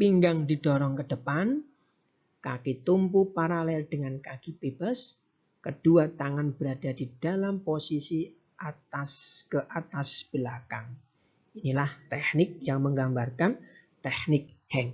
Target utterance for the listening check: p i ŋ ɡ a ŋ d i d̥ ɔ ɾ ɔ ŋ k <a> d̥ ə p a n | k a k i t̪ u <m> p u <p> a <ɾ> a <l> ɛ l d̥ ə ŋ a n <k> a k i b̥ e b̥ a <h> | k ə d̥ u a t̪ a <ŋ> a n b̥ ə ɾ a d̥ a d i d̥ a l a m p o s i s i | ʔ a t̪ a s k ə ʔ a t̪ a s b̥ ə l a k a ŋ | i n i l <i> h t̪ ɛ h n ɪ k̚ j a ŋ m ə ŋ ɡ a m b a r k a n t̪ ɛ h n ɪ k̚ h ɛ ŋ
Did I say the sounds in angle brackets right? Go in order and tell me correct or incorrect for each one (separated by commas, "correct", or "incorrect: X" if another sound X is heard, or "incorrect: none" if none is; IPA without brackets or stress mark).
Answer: incorrect: ə, correct, correct, correct, correct, correct, incorrect: s, correct, incorrect: a